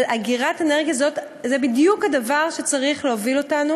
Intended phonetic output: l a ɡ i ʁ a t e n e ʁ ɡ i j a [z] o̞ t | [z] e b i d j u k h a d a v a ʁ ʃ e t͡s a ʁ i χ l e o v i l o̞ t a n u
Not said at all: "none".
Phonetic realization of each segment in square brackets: z, z

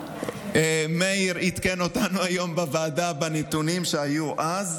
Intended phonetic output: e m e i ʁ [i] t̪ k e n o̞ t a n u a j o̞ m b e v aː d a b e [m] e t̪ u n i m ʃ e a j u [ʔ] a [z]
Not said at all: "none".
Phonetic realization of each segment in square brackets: i, n, ʔ, z

